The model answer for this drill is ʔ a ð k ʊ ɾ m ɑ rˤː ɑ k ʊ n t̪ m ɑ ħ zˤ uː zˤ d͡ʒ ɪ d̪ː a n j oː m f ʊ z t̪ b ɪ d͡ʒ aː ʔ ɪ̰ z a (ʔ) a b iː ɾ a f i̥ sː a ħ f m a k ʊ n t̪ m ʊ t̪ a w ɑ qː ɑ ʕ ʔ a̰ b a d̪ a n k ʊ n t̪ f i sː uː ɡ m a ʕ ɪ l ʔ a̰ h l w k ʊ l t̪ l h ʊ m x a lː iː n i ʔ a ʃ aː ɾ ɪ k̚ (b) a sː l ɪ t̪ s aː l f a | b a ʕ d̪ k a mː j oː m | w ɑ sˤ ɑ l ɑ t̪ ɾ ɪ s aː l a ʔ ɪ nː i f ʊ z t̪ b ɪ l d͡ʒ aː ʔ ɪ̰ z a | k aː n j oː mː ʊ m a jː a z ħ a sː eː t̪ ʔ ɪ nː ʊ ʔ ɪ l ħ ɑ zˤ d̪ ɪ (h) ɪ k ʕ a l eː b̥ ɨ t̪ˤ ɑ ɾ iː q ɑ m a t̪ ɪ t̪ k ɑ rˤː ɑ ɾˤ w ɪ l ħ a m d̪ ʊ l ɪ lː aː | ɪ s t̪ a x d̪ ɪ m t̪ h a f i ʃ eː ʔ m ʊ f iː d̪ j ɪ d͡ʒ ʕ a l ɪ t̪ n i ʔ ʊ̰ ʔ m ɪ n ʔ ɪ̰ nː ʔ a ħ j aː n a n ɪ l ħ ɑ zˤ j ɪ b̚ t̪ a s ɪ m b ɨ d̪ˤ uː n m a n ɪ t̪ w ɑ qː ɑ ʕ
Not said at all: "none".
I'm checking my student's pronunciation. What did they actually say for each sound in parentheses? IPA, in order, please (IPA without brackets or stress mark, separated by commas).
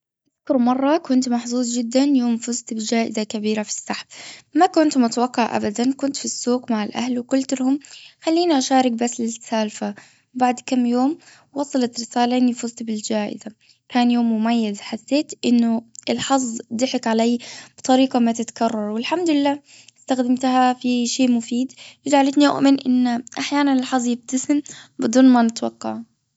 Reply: k, b, ħ